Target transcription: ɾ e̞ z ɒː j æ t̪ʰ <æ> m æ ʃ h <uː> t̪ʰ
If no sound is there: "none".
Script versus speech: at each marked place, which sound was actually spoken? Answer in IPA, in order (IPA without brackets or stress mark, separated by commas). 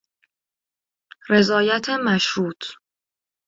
e, uː